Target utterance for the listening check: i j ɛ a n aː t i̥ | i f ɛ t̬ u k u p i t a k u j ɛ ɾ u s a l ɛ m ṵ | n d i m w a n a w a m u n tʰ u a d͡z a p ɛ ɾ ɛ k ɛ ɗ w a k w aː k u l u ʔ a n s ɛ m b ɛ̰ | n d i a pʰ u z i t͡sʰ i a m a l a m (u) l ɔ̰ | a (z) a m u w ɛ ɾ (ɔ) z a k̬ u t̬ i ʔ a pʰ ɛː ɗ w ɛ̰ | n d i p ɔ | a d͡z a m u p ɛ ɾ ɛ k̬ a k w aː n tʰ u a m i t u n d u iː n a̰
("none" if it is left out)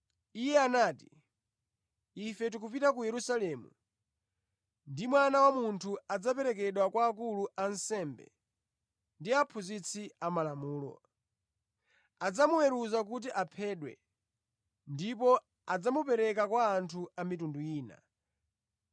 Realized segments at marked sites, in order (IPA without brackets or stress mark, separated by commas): uː, d͡z, u